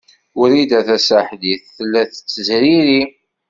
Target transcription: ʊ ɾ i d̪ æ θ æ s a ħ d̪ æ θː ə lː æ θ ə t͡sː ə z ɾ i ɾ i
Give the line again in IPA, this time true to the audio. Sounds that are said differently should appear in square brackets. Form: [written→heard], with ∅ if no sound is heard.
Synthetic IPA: ʊ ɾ i d̪ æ θ æ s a ħ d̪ [æ→i] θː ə lː æ θ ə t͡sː ə z ɾ i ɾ i